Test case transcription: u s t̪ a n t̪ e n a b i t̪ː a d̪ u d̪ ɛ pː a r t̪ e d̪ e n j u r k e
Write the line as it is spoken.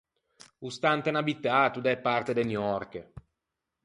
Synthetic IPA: u s t̪ a n t̪ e n a b i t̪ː a t̪ u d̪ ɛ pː a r t̪ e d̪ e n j ɔ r k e